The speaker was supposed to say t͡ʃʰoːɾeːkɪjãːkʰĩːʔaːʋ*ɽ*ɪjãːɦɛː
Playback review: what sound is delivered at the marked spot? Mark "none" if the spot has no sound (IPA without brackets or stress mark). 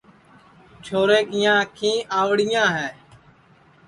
ɽ